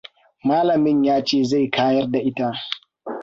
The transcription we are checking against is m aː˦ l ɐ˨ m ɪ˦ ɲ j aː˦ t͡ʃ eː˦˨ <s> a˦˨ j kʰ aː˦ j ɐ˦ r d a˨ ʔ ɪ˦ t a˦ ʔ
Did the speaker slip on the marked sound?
yes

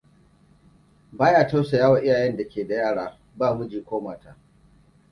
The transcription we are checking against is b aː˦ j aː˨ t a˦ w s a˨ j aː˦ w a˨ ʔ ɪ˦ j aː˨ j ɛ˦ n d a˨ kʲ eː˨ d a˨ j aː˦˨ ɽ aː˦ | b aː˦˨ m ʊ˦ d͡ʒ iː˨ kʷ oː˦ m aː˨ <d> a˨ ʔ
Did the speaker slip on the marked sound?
yes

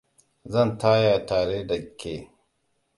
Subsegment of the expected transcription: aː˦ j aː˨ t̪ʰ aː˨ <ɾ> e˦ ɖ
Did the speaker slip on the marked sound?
no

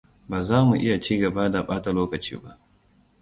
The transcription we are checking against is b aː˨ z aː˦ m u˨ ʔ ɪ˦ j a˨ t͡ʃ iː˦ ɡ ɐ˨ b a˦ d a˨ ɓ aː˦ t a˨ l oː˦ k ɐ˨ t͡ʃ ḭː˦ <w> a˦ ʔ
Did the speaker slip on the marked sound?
yes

